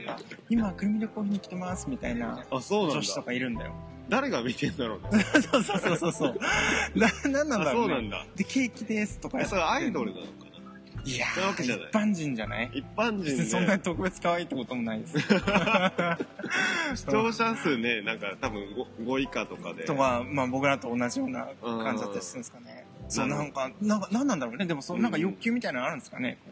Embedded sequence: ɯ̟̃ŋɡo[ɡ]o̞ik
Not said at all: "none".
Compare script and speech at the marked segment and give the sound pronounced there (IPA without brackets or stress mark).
ɡ